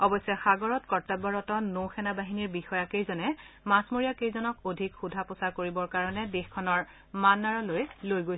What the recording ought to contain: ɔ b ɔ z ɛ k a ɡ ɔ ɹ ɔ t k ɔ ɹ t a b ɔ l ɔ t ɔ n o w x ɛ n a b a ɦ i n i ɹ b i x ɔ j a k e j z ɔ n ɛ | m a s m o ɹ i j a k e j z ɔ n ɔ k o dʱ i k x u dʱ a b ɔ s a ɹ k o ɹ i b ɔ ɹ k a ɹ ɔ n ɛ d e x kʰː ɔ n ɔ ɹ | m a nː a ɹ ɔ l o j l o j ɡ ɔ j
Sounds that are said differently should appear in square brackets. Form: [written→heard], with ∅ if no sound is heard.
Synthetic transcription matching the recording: ɔ b ɔ [z→s] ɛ [k→x] a ɡ ɔ ɹ ɔ t k ɔ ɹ t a b ɔ [l→ɹ] ɔ t ɔ n o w x ɛ n a b a ɦ i n i ɹ b i x ɔ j a k e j z ɔ n ɛ | m a s m o ɹ i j a k e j z ɔ n ɔ k o dʱ i k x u dʱ a [b→p] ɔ s a ɹ k o ɹ i b ɔ ɹ k a ɹ ɔ n ɛ d e x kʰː ɔ n ɔ ɹ | m a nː a ɹ ɔ l o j l o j ɡ [ɔ→o] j